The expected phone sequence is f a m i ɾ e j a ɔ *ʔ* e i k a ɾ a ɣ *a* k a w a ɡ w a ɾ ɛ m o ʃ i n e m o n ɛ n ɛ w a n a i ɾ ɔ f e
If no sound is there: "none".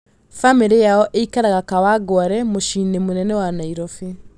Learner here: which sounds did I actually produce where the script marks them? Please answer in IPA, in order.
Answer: ʔ, a

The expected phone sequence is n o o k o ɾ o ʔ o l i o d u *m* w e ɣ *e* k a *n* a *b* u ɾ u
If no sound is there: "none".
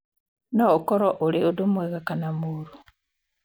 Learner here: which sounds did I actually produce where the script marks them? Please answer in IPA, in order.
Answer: m, a, n, m

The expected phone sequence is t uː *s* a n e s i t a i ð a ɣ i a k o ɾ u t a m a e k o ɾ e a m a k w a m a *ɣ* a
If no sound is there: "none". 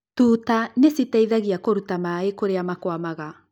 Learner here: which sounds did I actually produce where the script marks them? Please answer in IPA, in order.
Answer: t, ɣ

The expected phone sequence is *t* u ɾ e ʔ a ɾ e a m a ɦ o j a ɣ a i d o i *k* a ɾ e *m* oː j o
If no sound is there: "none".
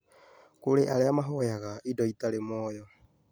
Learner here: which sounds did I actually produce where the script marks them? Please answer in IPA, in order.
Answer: k, t, m

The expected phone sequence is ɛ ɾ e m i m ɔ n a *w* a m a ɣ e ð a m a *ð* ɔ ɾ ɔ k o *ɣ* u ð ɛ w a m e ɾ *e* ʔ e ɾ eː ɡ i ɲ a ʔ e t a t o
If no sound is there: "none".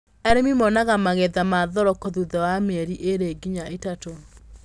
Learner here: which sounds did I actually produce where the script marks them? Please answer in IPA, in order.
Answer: ɣ, ð, ð, i

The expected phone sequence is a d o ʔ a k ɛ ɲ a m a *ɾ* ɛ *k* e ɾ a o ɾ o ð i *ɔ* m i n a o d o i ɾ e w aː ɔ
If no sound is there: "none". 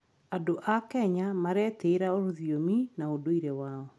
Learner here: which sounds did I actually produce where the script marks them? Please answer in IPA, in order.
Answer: ɾ, t, o

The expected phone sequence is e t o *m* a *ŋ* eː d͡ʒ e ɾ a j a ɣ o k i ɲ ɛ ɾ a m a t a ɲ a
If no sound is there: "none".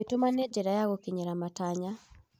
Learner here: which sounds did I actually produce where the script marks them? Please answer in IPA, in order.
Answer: m, n

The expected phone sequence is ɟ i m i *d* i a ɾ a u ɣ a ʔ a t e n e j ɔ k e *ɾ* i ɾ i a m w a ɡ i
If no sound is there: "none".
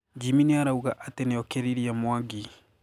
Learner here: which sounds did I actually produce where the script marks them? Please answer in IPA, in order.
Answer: n, ɾ

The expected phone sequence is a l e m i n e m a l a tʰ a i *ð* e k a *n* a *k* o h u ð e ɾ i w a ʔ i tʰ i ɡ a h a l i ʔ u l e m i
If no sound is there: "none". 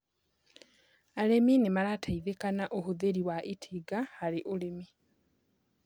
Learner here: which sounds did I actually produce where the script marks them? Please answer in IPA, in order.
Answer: ð, n, ʔ

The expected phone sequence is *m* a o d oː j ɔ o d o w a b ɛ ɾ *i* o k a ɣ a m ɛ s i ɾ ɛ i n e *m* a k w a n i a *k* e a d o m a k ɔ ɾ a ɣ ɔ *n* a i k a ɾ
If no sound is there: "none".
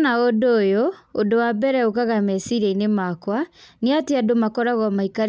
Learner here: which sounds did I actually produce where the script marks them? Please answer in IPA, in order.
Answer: n, ɛ, m, t, m

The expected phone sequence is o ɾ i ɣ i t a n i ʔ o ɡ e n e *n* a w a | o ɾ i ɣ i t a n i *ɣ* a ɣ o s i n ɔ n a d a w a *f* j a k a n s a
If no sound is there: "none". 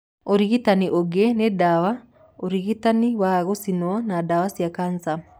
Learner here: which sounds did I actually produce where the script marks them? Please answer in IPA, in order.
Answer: d, w, s

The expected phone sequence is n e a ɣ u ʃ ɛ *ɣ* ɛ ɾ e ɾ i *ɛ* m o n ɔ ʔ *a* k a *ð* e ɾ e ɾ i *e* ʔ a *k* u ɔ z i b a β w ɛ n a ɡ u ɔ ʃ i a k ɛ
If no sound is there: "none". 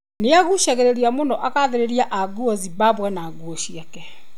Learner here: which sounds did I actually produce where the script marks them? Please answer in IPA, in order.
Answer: ɣ, a, a, ð, a, ɡ

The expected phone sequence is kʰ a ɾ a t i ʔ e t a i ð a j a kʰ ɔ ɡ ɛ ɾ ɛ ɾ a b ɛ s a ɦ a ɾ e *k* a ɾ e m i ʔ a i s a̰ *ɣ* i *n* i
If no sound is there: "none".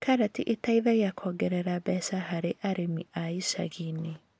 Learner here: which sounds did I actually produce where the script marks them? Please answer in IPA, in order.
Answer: ʔ, ɣ, n

